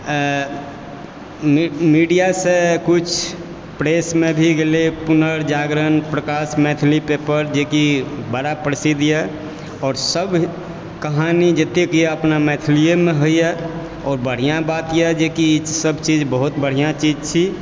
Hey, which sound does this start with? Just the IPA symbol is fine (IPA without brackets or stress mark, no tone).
m